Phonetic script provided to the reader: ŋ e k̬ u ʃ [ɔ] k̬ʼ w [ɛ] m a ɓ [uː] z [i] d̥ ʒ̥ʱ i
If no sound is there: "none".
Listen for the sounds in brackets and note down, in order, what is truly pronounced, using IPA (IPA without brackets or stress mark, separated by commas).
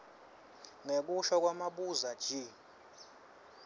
ɔ, a, u, a